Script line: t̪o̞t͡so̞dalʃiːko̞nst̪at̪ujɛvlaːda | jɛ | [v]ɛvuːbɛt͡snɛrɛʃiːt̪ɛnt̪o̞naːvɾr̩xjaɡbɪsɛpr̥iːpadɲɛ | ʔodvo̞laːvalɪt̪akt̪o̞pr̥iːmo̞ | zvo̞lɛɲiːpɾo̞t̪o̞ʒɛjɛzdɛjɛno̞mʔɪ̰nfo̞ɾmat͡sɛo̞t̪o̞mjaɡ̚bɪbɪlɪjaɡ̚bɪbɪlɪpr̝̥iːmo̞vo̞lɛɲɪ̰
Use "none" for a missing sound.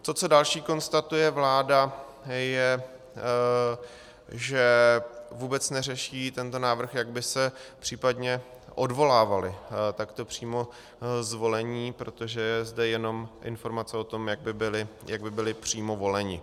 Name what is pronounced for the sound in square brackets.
ʒ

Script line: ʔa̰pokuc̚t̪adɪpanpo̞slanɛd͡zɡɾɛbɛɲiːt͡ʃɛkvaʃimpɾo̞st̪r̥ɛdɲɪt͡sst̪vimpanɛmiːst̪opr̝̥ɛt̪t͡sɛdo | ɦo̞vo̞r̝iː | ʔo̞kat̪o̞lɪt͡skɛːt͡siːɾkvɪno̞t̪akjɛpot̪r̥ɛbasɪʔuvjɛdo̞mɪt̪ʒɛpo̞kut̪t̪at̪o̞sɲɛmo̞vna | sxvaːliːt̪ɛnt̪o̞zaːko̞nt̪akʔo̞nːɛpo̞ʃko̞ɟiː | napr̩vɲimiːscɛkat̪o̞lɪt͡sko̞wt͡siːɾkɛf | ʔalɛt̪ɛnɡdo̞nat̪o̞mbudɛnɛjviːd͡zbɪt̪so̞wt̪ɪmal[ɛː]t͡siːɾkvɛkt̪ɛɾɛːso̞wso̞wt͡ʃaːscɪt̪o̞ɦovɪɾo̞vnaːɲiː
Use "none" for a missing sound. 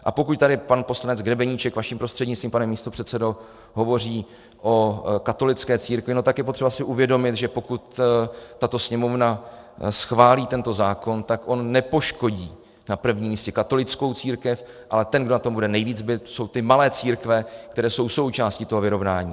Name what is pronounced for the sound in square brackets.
ɛː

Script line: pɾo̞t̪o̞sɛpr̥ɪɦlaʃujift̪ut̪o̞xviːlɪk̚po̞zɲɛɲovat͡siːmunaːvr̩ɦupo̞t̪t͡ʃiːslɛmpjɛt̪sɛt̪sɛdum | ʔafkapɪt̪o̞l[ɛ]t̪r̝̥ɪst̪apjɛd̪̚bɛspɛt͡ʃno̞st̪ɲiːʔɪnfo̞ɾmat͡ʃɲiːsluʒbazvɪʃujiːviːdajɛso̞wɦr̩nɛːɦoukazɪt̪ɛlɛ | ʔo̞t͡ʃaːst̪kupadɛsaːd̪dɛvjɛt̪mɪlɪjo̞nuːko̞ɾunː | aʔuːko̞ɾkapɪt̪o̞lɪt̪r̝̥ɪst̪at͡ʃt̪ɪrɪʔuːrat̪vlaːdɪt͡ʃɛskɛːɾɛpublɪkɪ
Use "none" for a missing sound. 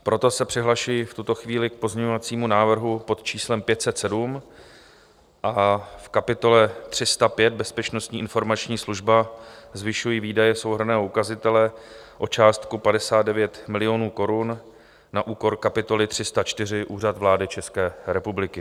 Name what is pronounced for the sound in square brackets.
ɛ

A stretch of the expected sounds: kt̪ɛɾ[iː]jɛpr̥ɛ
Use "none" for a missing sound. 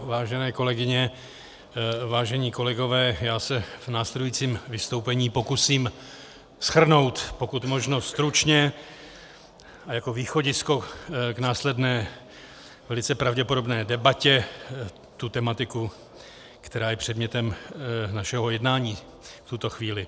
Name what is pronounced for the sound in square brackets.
aː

